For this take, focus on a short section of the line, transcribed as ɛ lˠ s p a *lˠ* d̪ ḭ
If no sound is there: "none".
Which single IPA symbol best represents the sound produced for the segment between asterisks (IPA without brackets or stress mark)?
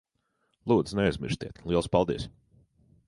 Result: lˠ